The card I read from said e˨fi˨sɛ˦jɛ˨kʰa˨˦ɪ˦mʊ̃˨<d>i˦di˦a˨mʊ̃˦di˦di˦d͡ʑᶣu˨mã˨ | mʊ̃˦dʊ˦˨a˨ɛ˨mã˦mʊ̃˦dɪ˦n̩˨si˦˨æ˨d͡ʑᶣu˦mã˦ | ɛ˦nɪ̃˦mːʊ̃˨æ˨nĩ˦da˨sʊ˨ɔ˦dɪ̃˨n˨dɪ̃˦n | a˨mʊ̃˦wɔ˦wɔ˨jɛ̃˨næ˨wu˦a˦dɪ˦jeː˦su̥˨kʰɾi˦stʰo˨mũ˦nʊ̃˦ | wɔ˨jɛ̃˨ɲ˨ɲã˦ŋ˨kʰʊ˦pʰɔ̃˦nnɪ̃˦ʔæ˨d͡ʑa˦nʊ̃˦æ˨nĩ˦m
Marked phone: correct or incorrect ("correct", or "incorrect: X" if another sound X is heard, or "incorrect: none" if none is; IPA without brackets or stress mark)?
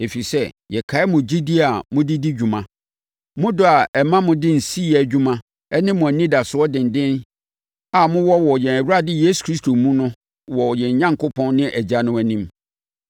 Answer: incorrect: d͡ʑ